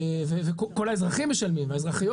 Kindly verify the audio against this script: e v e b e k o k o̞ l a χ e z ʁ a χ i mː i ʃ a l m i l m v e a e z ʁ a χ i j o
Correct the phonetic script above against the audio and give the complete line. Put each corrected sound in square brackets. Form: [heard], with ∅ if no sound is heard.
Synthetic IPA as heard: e v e [v] e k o k o̞ l a [∅] e z ʁ a χ i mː [e] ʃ a l m i [∅] m v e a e z ʁ a χ i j o